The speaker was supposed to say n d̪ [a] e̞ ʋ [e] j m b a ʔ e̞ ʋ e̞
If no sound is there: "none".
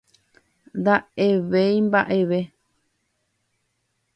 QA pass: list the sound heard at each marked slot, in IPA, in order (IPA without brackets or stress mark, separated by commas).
a, e